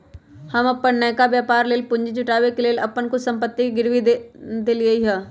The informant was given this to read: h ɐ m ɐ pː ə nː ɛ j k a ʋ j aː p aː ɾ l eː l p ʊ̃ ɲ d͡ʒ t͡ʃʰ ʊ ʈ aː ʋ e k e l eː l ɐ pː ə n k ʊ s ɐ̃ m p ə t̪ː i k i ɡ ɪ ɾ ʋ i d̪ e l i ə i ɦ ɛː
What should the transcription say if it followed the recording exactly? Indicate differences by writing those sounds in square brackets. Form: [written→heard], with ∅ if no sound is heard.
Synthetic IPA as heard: h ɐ m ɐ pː ə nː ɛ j k a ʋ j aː p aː ɾ l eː l p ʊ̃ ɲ d͡ʒ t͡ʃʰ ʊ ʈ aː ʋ e k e l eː l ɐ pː ə n k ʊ s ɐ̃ m p ə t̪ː i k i ɡ ɪ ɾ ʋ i d̪ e l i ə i ɦ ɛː